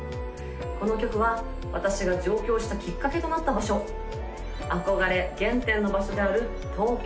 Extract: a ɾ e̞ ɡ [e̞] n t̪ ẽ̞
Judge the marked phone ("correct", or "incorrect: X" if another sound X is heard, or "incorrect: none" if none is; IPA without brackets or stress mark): incorrect: ẽ̞